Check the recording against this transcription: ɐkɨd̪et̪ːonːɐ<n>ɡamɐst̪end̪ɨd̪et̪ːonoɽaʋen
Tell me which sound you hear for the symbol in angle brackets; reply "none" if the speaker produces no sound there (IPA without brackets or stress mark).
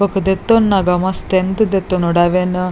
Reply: none